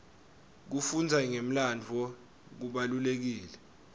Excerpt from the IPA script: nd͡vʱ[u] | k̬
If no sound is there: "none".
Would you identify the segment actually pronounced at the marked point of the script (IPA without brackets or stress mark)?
ɔ